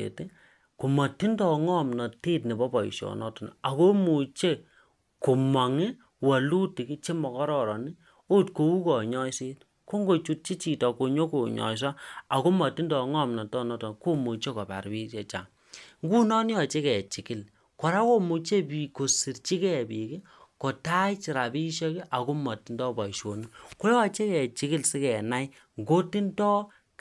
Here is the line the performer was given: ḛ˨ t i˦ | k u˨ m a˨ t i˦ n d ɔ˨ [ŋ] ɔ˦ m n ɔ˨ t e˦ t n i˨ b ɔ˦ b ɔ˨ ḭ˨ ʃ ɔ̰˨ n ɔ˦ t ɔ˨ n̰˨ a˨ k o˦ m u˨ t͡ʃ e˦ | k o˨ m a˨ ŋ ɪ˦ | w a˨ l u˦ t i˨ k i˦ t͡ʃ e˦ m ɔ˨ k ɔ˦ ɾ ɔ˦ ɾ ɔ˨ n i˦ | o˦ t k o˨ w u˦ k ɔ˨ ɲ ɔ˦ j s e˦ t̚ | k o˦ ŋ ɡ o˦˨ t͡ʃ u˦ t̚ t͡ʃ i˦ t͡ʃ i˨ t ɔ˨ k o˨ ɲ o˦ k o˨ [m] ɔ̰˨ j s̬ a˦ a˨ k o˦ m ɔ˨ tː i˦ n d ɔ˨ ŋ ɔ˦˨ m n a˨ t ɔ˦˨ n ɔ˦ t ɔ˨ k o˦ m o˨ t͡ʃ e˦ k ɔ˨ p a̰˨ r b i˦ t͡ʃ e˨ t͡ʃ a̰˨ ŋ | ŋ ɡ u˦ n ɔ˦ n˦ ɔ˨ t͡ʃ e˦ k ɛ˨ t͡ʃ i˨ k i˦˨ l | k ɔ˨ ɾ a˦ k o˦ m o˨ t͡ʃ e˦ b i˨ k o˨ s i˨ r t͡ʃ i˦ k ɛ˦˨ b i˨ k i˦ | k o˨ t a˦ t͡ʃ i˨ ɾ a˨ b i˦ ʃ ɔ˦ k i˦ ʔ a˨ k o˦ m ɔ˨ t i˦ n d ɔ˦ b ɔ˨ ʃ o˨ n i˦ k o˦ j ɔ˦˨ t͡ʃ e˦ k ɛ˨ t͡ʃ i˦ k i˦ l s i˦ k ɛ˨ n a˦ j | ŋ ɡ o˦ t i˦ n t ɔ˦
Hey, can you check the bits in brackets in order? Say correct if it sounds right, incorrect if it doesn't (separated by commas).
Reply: correct, incorrect